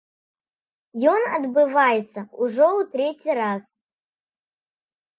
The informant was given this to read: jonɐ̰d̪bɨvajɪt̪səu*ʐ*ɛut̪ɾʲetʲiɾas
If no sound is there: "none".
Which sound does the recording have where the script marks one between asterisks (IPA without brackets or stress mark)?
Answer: ʐ